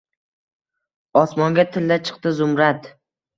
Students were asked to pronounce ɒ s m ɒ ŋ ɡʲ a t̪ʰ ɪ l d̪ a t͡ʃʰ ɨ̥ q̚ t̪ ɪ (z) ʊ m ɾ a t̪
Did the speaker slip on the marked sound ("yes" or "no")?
no